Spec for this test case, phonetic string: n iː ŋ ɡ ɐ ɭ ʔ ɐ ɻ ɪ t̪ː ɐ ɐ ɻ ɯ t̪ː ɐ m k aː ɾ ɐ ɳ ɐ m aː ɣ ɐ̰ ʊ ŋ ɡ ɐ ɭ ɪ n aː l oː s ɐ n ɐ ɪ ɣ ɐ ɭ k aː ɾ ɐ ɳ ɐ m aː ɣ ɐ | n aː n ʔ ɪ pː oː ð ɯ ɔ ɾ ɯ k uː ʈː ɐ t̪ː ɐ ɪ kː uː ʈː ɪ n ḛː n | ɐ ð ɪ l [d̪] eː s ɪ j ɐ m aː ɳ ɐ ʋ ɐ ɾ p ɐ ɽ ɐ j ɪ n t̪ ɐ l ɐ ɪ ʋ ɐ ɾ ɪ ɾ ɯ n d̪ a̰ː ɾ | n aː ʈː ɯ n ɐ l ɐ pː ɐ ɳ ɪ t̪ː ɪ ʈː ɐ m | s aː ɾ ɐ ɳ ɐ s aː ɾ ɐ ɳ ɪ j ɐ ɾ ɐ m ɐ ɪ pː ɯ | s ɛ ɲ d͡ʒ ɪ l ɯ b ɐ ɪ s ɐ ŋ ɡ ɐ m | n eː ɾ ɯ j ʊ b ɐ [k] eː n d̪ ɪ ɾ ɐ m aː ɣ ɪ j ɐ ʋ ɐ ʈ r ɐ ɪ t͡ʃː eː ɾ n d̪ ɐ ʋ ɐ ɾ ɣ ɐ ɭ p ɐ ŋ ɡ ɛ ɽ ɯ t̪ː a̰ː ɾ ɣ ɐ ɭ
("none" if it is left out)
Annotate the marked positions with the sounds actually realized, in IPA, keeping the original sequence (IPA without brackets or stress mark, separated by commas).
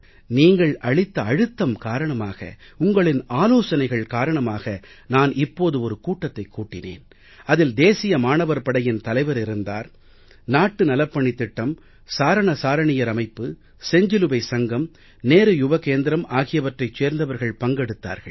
d̪, k